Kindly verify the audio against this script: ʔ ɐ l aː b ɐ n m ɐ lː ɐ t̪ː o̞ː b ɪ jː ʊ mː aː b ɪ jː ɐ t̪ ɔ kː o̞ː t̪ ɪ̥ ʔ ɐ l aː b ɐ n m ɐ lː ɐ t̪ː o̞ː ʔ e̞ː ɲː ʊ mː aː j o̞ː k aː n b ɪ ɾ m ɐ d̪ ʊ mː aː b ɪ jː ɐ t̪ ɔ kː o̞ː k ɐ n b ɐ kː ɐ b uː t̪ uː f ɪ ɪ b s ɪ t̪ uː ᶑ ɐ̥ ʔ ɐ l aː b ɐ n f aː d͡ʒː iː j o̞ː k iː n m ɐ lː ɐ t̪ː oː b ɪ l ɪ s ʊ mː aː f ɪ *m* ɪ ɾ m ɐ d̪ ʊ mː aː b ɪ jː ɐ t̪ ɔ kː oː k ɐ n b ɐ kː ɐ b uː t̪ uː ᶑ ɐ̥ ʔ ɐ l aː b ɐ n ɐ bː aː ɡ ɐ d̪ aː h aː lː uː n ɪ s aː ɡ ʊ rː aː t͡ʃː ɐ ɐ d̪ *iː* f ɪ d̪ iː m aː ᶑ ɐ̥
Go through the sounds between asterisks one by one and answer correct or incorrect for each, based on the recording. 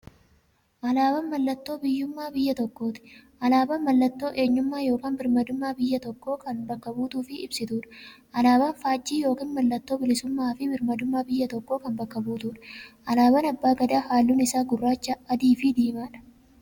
incorrect, correct

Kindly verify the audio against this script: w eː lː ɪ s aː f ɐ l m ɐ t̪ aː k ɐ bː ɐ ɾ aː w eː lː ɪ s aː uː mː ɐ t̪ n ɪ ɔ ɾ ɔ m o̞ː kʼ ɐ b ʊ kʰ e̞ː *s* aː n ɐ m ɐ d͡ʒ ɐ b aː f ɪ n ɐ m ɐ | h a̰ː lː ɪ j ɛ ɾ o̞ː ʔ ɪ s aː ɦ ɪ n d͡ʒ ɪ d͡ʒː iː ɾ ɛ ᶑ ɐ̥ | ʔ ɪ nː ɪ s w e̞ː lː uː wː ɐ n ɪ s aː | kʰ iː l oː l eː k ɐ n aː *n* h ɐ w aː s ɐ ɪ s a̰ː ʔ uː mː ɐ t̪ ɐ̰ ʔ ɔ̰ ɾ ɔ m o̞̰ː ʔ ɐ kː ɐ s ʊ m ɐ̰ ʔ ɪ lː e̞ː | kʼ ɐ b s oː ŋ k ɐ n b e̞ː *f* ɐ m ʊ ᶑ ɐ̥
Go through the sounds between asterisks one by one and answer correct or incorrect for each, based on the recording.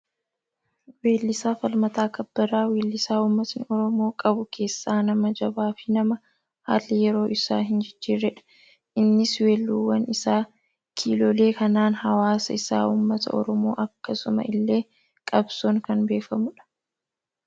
incorrect, correct, correct

